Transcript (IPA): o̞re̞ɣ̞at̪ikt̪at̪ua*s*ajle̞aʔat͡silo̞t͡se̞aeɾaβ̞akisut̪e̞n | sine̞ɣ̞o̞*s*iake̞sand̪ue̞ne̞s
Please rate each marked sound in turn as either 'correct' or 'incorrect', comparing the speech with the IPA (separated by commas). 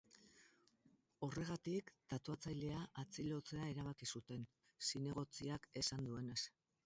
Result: incorrect, incorrect